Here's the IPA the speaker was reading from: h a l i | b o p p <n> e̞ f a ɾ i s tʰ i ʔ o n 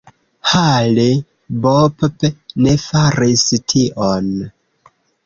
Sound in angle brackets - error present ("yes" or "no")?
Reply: no